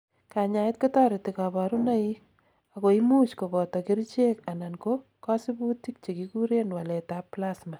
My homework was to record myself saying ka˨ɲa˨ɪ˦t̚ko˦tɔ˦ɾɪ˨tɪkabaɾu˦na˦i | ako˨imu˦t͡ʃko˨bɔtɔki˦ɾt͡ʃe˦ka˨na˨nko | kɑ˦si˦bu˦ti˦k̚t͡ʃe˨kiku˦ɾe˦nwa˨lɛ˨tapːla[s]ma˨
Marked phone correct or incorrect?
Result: correct